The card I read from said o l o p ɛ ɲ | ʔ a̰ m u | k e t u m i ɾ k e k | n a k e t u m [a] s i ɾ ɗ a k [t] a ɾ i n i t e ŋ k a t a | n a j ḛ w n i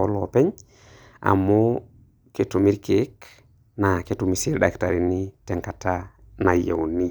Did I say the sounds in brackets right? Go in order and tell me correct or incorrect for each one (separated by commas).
incorrect, correct